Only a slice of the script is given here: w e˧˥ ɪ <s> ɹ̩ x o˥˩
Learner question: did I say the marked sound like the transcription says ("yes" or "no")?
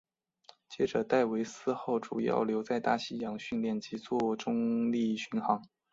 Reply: yes